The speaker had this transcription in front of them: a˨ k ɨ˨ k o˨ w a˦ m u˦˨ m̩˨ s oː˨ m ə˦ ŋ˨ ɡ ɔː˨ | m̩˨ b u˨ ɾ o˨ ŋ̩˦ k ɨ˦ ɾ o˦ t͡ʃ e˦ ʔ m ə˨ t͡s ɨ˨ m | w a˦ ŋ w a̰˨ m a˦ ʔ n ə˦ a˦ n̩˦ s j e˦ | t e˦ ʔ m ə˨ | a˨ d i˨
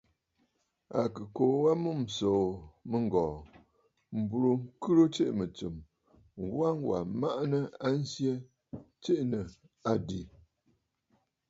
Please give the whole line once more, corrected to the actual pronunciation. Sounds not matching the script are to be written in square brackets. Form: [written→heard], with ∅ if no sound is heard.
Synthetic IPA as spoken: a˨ k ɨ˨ k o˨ w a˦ m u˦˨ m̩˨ s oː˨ m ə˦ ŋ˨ ɡ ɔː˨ | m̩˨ b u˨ ɾ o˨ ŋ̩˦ k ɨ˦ ɾ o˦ t͡ʃ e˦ ʔ m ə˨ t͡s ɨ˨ m | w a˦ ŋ w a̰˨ m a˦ ʔ n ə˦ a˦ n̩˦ s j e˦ | [t→t͡ʃ] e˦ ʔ [m→n] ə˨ | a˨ d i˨